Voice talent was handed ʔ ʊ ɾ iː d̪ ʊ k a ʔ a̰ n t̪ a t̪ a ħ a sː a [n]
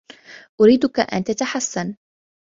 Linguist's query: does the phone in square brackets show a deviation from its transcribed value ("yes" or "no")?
no